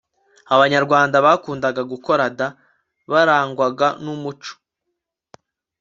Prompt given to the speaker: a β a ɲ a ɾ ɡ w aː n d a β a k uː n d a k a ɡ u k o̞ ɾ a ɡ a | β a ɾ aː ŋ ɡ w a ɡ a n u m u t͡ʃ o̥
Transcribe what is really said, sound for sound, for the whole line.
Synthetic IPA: a β a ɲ a ɾ ɡ w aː n d a β a k uː n d a ɡ a ɡ u k o̞ ɾ a d a | β a ɾ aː ŋ ɡ w a ɡ a n u m u t͡ʃ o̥